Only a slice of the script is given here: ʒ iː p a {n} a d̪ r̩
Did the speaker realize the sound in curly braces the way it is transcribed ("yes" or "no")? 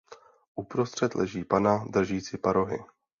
yes